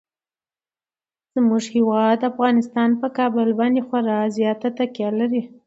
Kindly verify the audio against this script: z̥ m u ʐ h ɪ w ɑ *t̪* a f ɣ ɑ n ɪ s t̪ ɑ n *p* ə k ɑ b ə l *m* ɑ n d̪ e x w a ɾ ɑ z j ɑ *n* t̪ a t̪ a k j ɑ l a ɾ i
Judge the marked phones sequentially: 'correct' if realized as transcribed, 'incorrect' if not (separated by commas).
incorrect, correct, incorrect, incorrect